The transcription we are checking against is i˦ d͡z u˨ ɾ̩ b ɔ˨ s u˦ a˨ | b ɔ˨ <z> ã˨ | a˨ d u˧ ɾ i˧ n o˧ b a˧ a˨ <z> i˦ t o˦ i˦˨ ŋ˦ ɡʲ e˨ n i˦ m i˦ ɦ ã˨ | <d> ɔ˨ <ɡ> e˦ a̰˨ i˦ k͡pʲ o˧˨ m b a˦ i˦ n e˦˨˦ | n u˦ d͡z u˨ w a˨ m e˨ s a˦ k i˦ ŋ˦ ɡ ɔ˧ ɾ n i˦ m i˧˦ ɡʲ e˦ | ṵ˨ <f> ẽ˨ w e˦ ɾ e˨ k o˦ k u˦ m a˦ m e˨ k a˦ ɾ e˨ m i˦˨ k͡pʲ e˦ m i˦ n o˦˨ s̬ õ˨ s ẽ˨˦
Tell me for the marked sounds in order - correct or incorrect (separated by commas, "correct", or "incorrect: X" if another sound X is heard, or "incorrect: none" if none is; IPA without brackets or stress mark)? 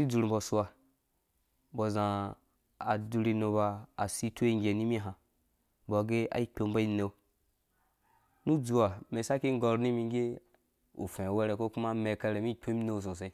correct, incorrect: s, incorrect: b, correct, correct